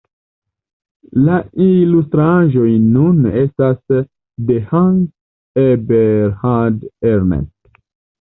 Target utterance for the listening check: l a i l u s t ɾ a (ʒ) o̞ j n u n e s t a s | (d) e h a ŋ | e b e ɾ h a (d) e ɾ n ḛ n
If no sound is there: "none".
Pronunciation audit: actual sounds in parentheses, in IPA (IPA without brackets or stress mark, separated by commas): ʒ, d, d